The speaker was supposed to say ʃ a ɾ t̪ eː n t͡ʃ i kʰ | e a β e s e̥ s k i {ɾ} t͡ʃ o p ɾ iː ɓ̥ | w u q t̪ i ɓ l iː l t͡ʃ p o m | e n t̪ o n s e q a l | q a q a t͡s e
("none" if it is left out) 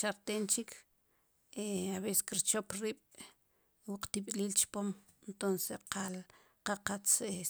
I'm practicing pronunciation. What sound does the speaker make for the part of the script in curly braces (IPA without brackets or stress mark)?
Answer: ɾ